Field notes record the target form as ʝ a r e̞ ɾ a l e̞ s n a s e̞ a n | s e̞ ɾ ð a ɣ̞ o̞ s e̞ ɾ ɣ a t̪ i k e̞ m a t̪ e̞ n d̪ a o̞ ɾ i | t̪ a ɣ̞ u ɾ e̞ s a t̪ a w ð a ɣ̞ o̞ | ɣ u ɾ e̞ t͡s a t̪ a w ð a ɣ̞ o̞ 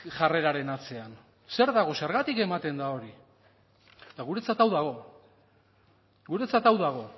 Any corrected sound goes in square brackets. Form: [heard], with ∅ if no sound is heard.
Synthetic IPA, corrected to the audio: ʝ a r e̞ ɾ a [ɾ] e̞ [∅] n a [t͡s] e̞ a n | s e̞ ɾ ð a ɣ̞ o̞ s e̞ ɾ ɣ a t̪ i k e̞ m a t̪ e̞ n d̪ a o̞ ɾ i | t̪ a ɣ̞ u ɾ e̞ [t͡s] a t̪ a w ð a ɣ̞ o̞ | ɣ u ɾ e̞ t͡s a t̪ a w ð a ɣ̞ o̞